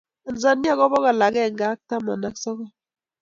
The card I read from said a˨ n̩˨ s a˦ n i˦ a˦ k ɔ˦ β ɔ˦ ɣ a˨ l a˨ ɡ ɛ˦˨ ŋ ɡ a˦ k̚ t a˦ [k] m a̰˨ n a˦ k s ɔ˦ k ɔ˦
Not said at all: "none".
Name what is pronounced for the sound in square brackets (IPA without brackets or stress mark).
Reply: none